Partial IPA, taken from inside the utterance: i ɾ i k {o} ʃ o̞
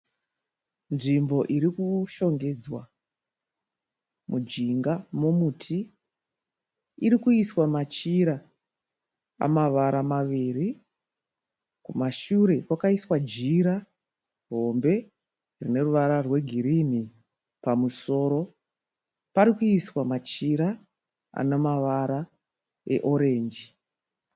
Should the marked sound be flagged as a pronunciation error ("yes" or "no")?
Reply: yes